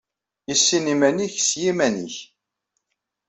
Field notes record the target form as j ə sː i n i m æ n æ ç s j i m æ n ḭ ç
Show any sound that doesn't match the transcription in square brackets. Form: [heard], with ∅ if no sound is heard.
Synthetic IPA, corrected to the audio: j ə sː i n i m æ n [i] ç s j i m æ n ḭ ç